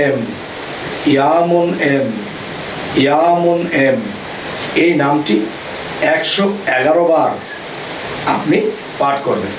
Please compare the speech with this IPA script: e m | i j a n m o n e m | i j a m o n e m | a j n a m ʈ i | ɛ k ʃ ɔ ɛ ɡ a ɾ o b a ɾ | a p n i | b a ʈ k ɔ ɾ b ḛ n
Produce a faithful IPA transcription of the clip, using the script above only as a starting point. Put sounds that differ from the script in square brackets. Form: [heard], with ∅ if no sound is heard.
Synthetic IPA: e m | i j a [∅] m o n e m | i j a m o n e m | [e] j n a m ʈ i | ɛ k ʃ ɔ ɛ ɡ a ɾ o b a ɾ | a p n i | [p] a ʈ k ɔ ɾ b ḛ n